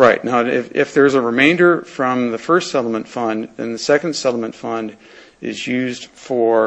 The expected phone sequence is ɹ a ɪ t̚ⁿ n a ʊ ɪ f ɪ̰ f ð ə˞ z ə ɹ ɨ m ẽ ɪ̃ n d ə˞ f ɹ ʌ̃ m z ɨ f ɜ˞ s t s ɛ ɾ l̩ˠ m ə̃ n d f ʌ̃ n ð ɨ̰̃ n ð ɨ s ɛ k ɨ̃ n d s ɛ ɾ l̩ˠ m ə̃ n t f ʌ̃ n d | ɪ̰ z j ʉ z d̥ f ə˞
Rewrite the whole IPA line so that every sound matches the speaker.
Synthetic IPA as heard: ɹ a ɪ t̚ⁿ n a ʊ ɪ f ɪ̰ f ð ə˞ z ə ɹ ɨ m ẽ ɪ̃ n d ə˞ f ɹ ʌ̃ m ð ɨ f ɜ˞ s t s ɛ ɾ l̩ˠ m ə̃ n t f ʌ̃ n ð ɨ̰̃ n ð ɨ s ɛ k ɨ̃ n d s ɛ ɾ l̩ˠ m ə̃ n t f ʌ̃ n d | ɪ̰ z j ʉ z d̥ f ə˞